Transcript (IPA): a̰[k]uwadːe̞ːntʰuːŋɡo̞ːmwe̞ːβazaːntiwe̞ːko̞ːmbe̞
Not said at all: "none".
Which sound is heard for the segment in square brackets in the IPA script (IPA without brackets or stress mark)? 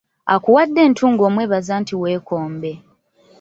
k